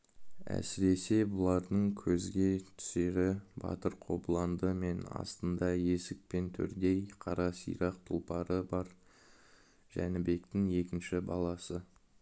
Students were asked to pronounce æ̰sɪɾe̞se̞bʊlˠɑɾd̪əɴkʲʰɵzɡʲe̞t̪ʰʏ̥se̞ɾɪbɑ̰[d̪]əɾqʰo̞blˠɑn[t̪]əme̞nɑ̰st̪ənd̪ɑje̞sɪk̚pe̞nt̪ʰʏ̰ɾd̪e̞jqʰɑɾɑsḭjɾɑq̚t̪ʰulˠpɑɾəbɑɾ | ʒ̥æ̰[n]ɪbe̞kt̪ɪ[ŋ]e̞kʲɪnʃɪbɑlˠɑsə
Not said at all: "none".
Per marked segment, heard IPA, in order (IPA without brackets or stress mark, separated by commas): t̪, d̪, n, ŋ